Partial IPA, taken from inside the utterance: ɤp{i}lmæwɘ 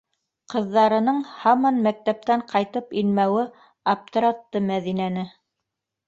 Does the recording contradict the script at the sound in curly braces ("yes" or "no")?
no